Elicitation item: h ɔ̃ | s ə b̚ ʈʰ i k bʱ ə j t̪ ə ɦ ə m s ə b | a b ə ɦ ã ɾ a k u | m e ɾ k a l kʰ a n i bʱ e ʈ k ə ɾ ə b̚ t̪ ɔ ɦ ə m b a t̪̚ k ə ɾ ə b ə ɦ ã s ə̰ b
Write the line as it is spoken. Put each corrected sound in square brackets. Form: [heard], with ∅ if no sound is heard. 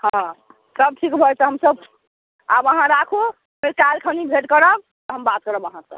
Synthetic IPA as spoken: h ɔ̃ | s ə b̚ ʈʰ i k bʱ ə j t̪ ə ɦ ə m s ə b | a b ə ɦ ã ɾ a [kʰ] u | m e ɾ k a l kʰ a n i bʱ e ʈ k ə ɾ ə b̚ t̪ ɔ ɦ ə m b a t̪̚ k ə ɾ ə b ə ɦ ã s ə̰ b

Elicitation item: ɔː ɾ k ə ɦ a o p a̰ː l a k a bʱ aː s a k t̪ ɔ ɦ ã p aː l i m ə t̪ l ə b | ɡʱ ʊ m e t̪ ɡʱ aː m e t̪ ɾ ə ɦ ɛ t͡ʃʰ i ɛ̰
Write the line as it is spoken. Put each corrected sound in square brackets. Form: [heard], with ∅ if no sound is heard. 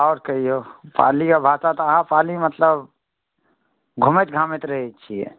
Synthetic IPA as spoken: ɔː ɾ k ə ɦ [i] o p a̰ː l [i] k a bʱ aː s a [∅] t̪ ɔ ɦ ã p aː l i m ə t̪ l ə b | ɡʱ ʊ m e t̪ ɡʱ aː m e t̪ ɾ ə ɦ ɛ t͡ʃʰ i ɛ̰

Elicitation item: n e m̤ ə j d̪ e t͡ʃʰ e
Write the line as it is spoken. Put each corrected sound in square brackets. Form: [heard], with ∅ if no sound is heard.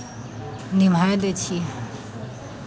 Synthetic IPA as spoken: n [i] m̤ [a] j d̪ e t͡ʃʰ [i]

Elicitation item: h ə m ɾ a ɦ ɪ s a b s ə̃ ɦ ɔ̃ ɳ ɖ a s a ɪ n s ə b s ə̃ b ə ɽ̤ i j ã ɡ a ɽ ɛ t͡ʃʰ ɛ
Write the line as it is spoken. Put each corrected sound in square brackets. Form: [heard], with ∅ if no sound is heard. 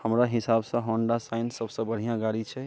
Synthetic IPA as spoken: h ə m ɾ a ɦ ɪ s a b s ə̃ ɦ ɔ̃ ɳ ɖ a s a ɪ n s ə b s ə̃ b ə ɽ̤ i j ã ɡ a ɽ [i] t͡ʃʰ ɛ

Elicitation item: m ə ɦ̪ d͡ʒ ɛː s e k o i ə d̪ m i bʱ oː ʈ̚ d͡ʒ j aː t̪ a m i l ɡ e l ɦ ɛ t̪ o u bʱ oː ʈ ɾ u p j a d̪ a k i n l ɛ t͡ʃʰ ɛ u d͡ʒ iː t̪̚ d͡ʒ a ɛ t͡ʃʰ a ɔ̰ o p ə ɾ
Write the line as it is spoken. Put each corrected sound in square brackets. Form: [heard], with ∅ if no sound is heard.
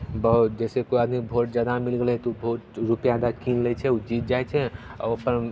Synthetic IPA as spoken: [b] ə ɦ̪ d͡ʒ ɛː s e k o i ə d̪ m i bʱ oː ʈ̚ d͡ʒ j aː [d̪] a m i l ɡ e l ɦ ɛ t̪ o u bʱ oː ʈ ɾ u p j a d̪ a k i n l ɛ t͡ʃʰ ɛ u d͡ʒ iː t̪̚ d͡ʒ a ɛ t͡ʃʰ [ɛ] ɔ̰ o p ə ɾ

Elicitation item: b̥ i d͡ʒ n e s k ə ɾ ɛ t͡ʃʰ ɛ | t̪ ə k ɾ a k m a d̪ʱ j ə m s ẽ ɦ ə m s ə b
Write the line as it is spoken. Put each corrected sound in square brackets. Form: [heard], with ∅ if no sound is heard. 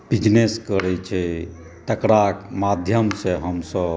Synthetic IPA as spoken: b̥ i d͡ʒ n e s k ə ɾ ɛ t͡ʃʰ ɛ | t̪ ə k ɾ a k m a d̪ʱ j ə m s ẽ ɦ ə m s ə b

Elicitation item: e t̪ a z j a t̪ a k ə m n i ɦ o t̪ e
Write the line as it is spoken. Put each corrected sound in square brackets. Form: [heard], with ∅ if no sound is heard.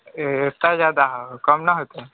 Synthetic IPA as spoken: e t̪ a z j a [d̪] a k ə m n [a] ɦ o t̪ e

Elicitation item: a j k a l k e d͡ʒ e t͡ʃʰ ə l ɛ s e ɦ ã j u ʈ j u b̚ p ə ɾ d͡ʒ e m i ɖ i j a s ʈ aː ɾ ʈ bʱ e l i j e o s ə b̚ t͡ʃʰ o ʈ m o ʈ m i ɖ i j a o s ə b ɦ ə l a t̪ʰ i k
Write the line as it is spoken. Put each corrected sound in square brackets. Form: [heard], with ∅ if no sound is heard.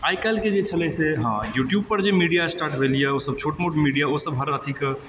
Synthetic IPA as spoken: a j k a l k e d͡ʒ e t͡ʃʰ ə l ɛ s e ɦ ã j u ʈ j u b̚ p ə ɾ d͡ʒ e m i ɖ i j a s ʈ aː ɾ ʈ bʱ e l i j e o s ə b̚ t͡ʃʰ o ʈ m o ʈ m i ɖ i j a o s ə b ɦ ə [ɾ] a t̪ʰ i k

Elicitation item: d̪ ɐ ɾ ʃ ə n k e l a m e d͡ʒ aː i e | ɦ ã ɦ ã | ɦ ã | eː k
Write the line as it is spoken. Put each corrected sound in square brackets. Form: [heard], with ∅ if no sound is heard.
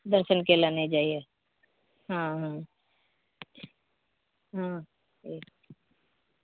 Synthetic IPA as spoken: d̪ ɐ ɾ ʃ ə n k e l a [n] e d͡ʒ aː i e | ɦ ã ɦ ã | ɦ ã | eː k

